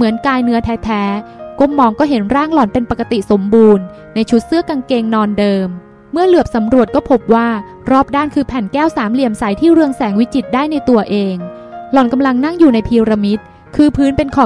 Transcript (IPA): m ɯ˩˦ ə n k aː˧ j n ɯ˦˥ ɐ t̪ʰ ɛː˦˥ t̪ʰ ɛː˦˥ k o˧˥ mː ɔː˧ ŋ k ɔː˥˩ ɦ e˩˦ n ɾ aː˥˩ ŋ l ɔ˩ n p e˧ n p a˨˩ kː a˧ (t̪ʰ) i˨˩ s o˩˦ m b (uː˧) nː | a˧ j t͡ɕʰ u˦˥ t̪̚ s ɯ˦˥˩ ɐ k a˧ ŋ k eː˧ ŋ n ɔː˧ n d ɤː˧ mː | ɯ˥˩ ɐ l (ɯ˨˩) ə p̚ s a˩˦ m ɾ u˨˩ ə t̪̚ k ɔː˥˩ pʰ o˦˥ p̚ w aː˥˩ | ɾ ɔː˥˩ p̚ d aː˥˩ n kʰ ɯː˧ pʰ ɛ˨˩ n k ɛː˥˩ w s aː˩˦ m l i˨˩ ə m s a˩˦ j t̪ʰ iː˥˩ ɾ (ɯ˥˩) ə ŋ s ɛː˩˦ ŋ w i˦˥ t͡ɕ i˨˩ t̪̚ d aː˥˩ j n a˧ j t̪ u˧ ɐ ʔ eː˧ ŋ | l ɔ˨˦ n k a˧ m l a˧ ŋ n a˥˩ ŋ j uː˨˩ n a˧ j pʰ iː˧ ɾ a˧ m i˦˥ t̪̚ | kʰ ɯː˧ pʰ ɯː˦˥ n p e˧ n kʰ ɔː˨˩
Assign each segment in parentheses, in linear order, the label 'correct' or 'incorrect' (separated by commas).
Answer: incorrect, correct, correct, incorrect